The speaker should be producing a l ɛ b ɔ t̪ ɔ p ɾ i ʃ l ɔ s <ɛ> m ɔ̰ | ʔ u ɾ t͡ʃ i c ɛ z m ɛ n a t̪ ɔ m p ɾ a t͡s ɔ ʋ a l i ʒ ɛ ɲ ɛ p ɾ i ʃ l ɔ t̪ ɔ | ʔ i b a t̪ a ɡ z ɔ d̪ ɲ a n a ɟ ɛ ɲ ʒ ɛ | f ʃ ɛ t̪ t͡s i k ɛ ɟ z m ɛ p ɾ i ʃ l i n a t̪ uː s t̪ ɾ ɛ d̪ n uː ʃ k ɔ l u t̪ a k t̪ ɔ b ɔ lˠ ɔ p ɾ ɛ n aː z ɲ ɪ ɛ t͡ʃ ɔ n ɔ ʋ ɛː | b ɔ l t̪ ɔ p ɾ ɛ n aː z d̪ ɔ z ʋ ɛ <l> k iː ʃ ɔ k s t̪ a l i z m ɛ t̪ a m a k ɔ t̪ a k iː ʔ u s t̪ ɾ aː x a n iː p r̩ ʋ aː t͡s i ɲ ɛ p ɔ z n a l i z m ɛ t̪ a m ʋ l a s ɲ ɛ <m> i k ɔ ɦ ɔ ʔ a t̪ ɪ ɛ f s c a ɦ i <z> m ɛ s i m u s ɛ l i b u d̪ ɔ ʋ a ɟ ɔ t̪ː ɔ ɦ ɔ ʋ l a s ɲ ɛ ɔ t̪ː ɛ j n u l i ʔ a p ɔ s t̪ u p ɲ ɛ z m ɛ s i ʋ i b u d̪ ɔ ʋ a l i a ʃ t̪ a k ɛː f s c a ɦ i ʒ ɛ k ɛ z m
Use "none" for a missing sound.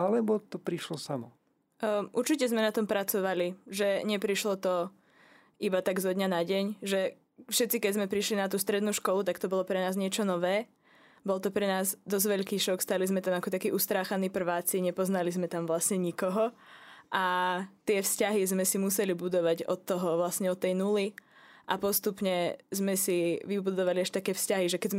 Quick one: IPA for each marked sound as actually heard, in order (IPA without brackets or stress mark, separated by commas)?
a, ʎ, ɲ, z